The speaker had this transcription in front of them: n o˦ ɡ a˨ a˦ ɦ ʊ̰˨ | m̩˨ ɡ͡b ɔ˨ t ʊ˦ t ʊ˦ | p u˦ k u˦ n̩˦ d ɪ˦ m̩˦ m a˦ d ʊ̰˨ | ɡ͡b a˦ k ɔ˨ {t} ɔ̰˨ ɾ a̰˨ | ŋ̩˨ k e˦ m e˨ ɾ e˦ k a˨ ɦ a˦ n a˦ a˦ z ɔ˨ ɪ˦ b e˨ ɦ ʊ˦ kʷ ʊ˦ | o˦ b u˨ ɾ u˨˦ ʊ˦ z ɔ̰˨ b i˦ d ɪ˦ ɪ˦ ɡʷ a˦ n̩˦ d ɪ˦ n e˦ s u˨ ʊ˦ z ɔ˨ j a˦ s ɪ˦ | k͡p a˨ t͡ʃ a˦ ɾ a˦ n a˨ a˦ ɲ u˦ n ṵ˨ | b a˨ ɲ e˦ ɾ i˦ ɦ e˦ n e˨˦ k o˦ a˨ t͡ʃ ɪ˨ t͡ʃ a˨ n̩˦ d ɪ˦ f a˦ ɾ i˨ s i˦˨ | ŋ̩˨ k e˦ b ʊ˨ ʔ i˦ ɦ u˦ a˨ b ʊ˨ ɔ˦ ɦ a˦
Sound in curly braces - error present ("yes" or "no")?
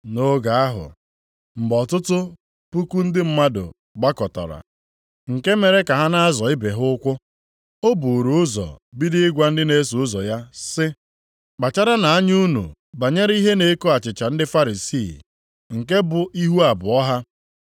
no